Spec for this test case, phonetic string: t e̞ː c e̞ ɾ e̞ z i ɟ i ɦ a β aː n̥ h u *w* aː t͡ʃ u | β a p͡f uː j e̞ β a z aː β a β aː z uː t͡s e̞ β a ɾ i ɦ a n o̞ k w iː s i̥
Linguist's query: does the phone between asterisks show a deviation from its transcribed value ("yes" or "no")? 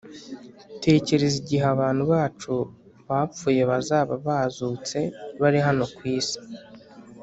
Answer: yes